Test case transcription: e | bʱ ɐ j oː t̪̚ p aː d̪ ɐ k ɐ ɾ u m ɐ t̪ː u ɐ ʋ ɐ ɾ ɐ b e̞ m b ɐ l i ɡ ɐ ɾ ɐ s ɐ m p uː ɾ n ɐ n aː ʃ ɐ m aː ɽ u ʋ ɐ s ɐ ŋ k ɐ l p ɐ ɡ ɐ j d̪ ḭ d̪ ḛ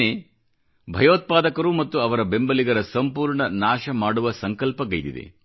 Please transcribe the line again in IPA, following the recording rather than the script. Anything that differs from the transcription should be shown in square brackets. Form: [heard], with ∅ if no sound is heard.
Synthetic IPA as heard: e | bʱ ɐ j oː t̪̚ p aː d̪ ɐ k ɐ ɾ u m ɐ t̪ː u ɐ ʋ ɐ ɾ ɐ b e̞ m b ɐ l i ɡ ɐ ɾ ɐ s ɐ m p uː ɾ [ɳ] ɐ n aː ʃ ɐ m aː ɽ u ʋ ɐ s ɐ ŋ k ɐ l p ɐ ɡ ɐ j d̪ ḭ d̪ ḛ